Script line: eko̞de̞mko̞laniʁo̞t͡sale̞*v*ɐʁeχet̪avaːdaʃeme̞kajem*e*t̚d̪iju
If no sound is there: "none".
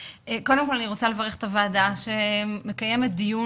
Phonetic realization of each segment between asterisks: v, e

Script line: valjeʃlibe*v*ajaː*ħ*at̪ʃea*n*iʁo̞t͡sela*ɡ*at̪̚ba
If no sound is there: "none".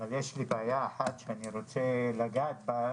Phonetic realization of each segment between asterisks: none, ħ, n, ɡ

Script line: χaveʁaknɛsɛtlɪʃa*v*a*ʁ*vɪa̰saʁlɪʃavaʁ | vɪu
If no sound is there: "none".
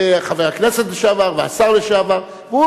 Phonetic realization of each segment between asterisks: v, ʁ

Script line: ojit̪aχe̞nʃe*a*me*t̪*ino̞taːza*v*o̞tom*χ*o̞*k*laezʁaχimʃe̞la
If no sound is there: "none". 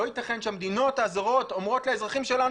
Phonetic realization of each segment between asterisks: a, d̪, ʁ, ʁ, t

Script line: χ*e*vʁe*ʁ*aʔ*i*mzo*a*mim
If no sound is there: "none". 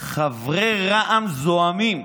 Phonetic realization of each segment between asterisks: a, ʁ, a, a

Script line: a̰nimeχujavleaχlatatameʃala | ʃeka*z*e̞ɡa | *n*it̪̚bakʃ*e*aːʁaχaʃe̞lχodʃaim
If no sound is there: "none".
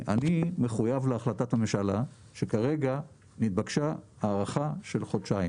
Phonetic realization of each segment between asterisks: ʁ, n, a

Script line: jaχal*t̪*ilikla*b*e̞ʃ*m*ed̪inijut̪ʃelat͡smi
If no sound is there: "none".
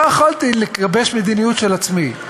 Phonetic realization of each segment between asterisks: t̪, b, m

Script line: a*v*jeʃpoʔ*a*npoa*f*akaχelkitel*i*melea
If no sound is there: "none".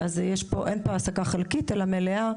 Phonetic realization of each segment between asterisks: z, e, s, a

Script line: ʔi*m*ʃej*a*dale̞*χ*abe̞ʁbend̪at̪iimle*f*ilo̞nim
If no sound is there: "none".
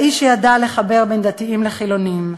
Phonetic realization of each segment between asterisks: none, a, χ, χ

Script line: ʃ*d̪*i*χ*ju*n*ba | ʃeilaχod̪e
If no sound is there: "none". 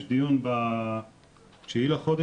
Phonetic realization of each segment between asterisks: d̪, none, n

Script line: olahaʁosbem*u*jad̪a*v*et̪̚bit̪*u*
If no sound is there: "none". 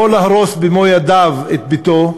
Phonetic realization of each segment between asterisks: o, v, o

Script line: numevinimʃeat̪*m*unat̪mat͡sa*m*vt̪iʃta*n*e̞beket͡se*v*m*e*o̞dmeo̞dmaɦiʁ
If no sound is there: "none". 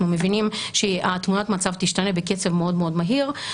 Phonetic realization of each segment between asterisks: m, none, n, v, e

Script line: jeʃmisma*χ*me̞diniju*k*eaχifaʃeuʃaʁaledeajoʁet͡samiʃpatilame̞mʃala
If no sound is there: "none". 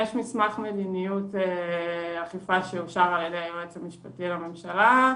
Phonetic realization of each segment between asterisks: χ, t

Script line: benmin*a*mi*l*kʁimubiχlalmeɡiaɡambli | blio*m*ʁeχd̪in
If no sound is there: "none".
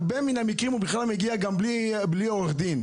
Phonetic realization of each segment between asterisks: a, none, none

